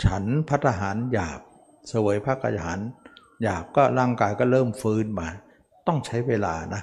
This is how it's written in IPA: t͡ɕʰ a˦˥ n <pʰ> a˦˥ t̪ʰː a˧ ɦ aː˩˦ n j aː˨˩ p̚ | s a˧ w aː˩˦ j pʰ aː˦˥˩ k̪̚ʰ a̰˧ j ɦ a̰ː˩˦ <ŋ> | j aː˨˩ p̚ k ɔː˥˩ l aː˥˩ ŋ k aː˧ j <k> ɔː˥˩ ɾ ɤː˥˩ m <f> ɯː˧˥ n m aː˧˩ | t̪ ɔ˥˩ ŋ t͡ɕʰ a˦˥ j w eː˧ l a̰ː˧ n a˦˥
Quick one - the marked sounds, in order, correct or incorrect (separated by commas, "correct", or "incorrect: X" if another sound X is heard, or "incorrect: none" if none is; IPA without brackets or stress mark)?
correct, incorrect: n, correct, correct